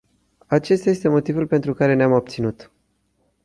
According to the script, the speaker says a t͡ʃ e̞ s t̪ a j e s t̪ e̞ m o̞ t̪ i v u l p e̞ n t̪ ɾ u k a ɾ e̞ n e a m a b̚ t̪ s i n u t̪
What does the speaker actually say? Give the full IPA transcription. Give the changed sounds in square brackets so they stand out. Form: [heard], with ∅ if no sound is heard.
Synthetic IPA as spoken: a t͡ʃ e̞ s t̪ a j e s t̪ e̞ m o̞ t̪ i v u l p e̞ n t̪ ɾ u k a ɾ e̞ n e a m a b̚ t̪ s i n u t̪